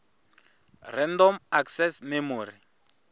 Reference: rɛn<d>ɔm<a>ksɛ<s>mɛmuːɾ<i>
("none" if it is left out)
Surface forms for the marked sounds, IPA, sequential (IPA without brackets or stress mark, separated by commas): d, a, s, i